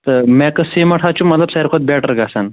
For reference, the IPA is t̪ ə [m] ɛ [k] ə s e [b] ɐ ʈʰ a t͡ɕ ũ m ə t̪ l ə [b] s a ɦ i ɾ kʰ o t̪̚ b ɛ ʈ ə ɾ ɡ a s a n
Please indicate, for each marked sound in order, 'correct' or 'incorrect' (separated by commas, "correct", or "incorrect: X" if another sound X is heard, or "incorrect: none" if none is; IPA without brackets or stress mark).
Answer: correct, correct, incorrect: m, correct